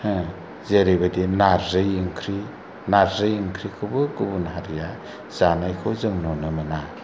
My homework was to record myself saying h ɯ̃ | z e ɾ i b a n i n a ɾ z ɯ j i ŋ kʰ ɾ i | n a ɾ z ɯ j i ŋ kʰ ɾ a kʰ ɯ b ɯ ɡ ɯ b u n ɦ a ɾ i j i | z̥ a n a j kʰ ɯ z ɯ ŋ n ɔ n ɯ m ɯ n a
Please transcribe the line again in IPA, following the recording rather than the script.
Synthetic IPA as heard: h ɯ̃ | z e ɾ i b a d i n a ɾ z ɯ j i ŋ kʰ ɾ i | n a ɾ z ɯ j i ŋ kʰ ɾ i kʰ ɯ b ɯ ɡ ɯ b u n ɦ a ɾ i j a | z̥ a n a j kʰ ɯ z ɯ ŋ n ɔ n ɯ m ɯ n a